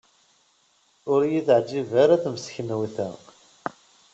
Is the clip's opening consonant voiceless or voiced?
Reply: voiced